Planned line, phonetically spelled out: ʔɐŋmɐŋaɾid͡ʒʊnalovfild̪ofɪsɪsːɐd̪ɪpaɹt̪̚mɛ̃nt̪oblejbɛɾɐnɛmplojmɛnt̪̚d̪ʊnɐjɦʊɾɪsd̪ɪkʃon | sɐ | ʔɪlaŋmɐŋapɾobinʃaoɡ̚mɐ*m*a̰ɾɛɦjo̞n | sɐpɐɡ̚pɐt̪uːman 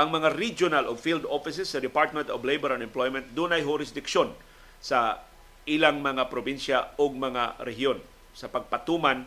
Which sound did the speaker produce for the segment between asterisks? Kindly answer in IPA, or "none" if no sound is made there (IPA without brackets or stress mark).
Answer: ŋ